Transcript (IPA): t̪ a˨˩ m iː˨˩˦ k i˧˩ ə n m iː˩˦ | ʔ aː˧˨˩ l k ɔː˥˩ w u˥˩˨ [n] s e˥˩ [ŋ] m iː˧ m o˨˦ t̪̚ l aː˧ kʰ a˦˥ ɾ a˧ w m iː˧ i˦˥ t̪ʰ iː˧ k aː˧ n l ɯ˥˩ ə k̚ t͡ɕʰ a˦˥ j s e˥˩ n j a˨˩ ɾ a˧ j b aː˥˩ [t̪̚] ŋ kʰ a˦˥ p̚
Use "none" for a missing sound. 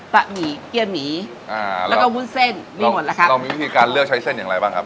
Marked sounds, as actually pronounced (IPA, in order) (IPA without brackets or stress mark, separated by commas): n, n, none